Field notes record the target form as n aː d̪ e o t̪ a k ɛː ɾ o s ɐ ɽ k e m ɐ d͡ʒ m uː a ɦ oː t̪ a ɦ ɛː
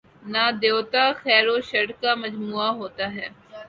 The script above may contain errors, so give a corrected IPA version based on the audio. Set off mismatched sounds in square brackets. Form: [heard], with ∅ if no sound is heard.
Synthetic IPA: n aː d̪ e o t̪ a [x] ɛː ɾ o [ʃ] ɐ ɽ k [a] m ɐ d͡ʒ m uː a ɦ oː t̪ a ɦ ɛː